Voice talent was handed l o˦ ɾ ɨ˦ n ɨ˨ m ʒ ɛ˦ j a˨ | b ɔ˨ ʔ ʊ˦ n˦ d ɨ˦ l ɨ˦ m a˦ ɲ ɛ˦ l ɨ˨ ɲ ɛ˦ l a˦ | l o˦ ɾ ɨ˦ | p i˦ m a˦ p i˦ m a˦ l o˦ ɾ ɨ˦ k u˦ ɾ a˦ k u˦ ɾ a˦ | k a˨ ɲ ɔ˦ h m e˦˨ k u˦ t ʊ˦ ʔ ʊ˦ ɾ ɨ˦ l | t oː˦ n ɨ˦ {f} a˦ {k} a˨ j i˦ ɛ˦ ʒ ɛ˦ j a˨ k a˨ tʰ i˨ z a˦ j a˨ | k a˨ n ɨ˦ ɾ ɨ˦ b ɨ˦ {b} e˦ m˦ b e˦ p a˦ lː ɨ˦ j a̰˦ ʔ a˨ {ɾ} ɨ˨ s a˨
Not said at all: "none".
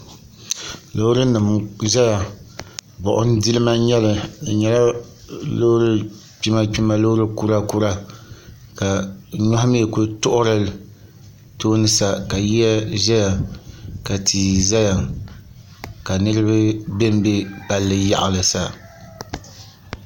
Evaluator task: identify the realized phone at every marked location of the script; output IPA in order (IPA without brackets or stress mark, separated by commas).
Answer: s, k, b, l